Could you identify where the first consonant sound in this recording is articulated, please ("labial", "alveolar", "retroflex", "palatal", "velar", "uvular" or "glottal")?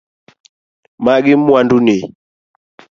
labial